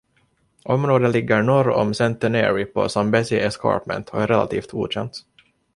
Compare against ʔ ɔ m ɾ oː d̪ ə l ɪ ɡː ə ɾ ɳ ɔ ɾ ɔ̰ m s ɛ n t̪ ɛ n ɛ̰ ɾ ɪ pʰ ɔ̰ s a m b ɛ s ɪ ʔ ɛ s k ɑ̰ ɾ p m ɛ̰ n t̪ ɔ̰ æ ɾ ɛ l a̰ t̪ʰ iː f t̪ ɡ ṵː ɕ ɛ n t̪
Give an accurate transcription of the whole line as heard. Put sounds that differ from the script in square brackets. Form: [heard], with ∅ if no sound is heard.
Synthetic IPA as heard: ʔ ɔ m ɾ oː d̪ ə l ɪ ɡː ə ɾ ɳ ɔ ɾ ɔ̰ m s ɛ n t̪ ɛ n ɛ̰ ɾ ɪ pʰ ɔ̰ s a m b ɛ s ɪ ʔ ɛ s k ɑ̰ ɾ p m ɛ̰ n t̪ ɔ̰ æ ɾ ɛ l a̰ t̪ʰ iː f t̪ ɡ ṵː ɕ ɛ n t̪